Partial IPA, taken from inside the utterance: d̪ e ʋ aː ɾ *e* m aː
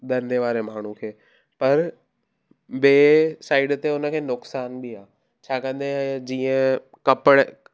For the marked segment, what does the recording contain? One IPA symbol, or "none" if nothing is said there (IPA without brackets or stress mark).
e